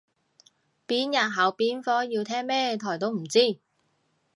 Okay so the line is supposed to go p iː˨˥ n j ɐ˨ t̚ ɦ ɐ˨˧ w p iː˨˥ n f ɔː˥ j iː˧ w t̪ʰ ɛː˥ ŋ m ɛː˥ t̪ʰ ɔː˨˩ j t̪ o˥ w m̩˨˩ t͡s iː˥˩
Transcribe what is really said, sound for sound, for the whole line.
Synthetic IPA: p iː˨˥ n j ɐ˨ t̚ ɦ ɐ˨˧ w p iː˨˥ n f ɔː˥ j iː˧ w t̪ʰ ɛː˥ ŋ m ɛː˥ t̪ʰ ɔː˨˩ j t̪ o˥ w m̩˨˩ t͡s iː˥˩